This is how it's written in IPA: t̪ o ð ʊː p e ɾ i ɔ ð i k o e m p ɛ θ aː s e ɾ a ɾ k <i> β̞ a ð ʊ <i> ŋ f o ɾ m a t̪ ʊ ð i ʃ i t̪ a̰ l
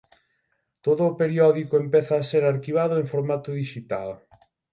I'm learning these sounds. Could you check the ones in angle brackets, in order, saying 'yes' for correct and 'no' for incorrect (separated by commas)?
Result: yes, no